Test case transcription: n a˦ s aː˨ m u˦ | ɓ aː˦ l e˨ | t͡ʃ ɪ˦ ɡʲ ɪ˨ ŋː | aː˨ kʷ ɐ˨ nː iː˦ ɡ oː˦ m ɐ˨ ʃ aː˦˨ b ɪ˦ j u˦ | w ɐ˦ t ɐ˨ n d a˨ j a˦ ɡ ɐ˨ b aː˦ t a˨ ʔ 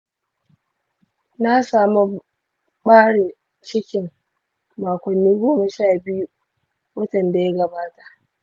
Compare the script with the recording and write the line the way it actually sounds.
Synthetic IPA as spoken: n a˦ s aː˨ m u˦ | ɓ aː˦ ɽ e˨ | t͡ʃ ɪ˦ kʲ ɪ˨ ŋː | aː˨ kʷ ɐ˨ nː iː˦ ɡ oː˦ m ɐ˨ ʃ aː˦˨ b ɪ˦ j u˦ | w ɐ˦ t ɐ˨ n d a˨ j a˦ ɡ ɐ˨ b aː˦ t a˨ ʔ